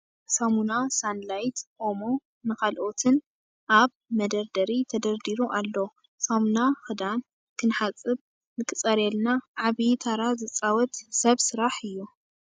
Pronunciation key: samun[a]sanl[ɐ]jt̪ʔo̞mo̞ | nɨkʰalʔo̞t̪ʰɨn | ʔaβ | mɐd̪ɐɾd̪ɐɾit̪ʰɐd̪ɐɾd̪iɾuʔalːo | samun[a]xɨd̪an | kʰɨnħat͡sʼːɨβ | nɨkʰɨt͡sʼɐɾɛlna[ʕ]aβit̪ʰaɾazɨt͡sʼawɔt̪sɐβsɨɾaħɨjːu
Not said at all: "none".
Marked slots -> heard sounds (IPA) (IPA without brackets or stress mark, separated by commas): a, a, a, ʕ